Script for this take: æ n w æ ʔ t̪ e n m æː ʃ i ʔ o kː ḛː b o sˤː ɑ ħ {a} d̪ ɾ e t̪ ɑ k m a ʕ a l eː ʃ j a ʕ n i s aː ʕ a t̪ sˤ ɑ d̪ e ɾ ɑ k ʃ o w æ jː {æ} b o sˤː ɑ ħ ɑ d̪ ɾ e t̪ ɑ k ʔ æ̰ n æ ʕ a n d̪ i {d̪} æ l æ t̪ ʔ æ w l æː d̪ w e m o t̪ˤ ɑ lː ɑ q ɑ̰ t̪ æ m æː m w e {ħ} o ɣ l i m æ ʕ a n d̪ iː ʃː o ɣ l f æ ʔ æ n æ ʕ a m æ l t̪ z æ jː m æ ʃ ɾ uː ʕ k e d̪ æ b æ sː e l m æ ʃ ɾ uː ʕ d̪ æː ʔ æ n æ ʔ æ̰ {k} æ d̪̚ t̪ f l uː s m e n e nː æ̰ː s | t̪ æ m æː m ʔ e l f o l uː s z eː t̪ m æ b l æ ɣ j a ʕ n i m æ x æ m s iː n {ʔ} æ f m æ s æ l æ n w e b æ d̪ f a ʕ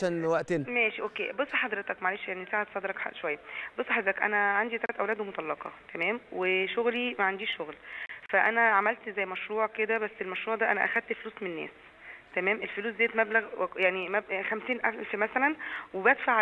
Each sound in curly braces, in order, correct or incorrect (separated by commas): incorrect, correct, incorrect, incorrect, incorrect, correct